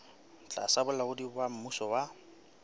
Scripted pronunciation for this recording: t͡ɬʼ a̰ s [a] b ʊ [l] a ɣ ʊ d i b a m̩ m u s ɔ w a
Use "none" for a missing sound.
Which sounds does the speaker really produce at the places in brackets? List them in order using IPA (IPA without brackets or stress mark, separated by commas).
a, l